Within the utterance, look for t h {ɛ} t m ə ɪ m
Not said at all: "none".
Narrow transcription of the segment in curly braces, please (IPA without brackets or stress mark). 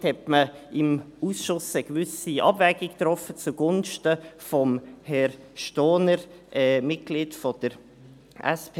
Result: ɛ